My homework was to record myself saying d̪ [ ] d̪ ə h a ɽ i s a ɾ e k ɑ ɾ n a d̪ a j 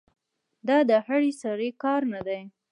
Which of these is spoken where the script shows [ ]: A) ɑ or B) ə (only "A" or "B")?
A